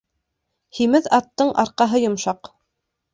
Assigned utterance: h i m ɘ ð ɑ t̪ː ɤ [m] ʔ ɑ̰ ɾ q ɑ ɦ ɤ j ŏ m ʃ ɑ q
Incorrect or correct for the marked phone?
incorrect: ɴ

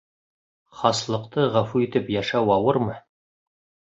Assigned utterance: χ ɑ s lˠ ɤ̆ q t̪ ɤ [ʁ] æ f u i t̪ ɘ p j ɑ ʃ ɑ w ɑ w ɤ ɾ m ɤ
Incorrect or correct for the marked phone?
correct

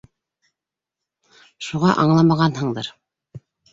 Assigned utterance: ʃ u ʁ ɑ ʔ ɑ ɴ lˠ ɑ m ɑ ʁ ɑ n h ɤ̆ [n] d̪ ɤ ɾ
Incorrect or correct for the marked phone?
incorrect: ɴ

